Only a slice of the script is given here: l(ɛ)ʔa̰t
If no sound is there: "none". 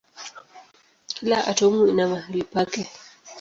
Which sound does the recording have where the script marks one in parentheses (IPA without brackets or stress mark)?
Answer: a